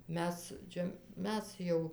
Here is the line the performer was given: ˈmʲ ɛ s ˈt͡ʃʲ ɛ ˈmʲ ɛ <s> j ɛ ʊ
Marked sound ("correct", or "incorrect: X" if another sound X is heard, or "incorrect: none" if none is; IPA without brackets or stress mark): correct